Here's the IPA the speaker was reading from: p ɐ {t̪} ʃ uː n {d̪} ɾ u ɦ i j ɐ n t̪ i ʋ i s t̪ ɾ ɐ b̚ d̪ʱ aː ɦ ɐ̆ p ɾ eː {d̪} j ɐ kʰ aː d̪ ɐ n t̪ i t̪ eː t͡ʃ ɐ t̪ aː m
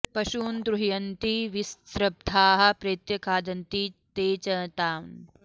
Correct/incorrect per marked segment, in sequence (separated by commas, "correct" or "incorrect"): incorrect, correct, incorrect